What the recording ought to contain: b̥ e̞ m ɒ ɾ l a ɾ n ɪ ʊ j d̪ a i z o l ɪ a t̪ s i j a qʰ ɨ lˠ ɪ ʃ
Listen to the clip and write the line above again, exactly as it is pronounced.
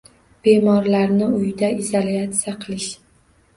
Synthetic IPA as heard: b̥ e̞ m ɒ ɾ l a ɾ n ɪ ʊ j d̪ a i z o l i a t̪ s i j a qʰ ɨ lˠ ɪ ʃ